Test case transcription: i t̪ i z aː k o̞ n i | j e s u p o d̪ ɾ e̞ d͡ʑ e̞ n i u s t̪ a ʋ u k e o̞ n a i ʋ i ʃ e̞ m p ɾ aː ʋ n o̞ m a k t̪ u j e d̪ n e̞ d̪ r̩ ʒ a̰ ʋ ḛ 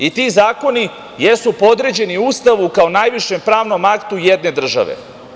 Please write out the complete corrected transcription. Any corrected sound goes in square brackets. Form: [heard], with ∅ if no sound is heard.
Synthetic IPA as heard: i t̪ i z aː k o̞ n i | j e s u p o d̪ ɾ e̞ d͡ʑ e̞ n i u s t̪ a ʋ u k [a] o̞ n a [j] ʋ i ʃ e̞ m p ɾ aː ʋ n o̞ m a k t̪ u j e d̪ n e̞ d̪ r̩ ʒ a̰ ʋ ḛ